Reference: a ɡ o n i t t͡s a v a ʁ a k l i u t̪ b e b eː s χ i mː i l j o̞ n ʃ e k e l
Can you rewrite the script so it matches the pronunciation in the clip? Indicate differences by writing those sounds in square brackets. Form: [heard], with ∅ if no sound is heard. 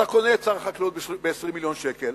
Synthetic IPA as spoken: a [k] o n [e] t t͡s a [ʁ] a [χ] a k l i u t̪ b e b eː s [ʁ] i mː i l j o̞ n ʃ e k e l